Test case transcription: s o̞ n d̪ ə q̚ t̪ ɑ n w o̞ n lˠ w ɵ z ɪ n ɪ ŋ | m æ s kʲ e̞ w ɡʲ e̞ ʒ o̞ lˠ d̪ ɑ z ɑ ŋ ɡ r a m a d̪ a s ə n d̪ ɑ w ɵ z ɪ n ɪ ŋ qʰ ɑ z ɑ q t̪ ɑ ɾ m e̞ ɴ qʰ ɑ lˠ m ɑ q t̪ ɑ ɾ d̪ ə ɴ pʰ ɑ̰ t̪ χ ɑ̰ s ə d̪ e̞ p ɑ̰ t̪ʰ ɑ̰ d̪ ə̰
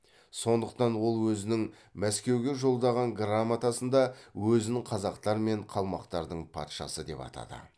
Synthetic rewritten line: s o̞ n d̪ ə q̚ t̪ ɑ n w o̞ lˠ w ɵ z ɪ n ɪ ŋ | m æ s kʲ e̞ w ɡʲ e̞ ʒ o̞ lˠ d̪ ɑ ʁ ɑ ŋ ɡ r a m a t̪ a s ə n d̪ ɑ w ɵ z ɪ n ɪ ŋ qʰ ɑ z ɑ q t̪ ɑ ɾ m e̞ ɴ qʰ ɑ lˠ m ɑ q t̪ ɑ ɾ d̪ ə ɴ pʰ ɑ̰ t̪ ʃ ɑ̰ s ə d̪ e̞ p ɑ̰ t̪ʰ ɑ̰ d̪ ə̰